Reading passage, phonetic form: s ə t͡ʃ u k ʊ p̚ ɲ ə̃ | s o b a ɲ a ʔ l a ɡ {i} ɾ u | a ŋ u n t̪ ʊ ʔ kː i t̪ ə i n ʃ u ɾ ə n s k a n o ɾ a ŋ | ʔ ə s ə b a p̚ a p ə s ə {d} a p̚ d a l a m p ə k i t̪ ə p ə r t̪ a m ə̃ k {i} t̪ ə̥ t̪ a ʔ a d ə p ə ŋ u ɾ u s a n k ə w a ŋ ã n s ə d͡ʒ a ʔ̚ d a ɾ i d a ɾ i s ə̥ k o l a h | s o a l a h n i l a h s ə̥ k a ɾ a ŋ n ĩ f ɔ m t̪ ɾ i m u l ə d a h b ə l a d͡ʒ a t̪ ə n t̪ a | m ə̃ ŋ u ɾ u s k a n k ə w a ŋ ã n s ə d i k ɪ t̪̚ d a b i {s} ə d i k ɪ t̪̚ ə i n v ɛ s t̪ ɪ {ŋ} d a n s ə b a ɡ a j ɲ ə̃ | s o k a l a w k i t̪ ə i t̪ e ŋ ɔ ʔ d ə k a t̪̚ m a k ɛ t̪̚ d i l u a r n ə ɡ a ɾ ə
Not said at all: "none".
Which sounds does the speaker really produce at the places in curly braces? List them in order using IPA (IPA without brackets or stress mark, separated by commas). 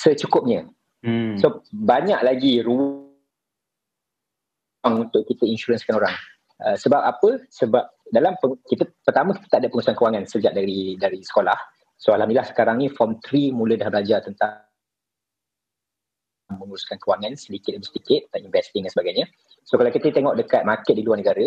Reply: i, b, i, s, ŋ